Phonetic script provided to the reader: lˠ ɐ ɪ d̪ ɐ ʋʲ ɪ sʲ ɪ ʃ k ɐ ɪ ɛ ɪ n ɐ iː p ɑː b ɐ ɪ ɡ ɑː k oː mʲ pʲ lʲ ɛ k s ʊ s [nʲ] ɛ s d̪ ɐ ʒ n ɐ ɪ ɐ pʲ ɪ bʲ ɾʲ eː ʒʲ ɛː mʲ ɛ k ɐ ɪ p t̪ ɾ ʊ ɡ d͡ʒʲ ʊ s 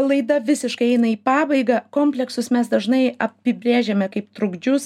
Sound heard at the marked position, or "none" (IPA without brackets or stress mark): mʲ